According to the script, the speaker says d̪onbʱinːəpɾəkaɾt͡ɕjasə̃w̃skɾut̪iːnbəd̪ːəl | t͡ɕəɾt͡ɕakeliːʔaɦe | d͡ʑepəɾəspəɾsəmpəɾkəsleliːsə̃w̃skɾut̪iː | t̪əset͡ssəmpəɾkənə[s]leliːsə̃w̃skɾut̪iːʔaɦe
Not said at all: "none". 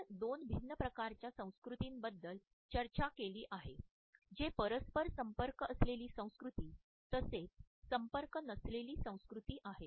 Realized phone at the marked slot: s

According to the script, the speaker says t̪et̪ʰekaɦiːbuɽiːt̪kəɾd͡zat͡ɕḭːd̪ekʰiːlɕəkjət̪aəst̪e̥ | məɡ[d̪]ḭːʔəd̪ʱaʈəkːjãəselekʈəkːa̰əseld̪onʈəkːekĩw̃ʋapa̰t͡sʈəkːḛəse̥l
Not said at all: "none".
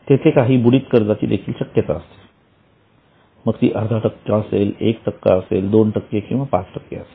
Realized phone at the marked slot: t̪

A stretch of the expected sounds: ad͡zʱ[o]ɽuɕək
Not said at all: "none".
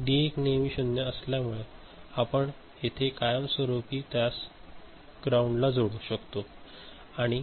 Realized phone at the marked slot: o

